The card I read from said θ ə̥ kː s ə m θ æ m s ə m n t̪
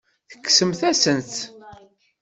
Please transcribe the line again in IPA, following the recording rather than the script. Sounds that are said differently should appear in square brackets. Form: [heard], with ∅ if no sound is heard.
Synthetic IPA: θ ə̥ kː s ə m θ æ [∅] s ə [∅] n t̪